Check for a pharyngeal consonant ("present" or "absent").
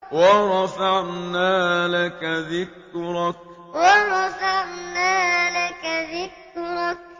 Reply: present